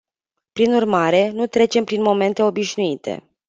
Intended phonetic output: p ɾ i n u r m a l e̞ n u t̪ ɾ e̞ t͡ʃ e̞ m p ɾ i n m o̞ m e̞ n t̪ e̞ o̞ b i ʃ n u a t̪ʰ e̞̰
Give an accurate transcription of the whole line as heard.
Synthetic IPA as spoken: p ɾ i n u r m a ɾ e̞ n u t̪ ɾ e̞ t͡ʃ e̞ m p ɾ i n m o̞ m e̞ n t̪ e̞ o̞ b i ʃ n u i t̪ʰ e̞̰